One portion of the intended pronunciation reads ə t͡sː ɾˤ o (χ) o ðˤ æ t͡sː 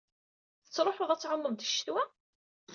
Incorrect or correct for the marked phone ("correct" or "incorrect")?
incorrect